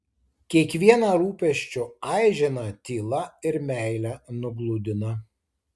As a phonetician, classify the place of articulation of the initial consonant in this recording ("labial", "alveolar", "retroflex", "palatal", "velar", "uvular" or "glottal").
velar